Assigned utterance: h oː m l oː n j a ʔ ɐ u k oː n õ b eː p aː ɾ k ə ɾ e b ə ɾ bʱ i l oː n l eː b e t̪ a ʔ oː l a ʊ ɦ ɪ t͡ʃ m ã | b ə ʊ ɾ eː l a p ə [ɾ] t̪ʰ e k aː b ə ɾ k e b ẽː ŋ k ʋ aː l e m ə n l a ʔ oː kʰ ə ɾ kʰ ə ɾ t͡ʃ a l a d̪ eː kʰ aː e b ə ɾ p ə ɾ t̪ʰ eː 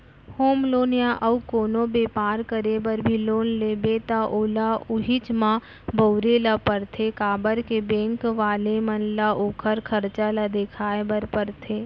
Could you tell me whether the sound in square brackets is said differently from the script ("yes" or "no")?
no